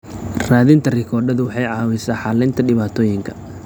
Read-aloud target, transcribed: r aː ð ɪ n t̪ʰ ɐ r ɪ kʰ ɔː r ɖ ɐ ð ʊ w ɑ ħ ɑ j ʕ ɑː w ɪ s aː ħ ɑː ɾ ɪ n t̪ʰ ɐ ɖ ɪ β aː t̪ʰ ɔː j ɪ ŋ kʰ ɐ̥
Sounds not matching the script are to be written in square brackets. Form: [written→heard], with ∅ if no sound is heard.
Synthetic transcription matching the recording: r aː ð ɪ n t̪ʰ ɐ r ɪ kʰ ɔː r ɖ ɐ ð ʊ w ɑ ħ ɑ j ʕ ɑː w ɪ s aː ħ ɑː [ɾ→l] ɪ n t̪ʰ ɐ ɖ ɪ β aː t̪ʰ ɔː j ɪ ŋ kʰ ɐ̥